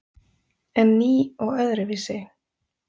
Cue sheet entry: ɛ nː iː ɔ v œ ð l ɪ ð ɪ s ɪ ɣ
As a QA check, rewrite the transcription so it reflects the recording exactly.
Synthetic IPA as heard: ɛ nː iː ɔ ɣ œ ð ɾ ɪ v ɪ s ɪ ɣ